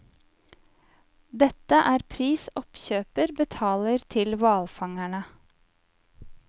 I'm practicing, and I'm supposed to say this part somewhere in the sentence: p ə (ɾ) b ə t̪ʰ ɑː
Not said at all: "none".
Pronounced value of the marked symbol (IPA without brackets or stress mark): ɾ